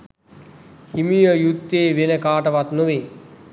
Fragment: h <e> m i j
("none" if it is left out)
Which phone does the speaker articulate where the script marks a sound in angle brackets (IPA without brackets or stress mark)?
i